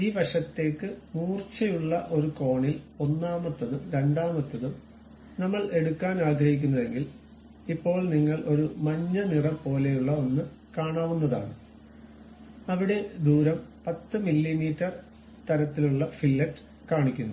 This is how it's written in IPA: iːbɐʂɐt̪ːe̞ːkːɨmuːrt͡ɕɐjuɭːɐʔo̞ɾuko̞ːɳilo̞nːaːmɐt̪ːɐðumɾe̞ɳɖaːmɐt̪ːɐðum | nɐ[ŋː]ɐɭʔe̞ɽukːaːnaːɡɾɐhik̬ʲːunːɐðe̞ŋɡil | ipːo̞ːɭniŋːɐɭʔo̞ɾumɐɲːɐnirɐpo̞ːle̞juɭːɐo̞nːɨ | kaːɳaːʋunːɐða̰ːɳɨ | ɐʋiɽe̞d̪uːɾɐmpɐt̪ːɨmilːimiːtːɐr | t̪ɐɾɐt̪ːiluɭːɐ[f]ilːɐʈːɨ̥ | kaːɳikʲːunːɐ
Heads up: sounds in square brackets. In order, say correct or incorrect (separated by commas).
incorrect, correct